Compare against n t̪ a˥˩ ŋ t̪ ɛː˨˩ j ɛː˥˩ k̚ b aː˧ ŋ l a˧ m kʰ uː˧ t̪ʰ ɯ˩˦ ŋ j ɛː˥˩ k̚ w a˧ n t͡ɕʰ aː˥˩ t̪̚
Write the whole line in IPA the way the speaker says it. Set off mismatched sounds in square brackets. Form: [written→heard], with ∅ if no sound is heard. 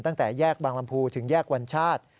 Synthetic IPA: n t̪ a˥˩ ŋ t̪ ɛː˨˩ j ɛː˥˩ k̚ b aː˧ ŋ l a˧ m [kʰ→pʰ] uː˧ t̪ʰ ɯ˩˦ ŋ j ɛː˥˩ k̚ w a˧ n t͡ɕʰ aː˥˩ t̪̚